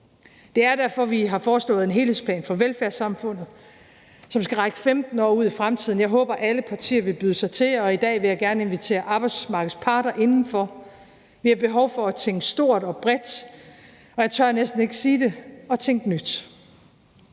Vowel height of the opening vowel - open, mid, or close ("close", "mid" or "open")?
mid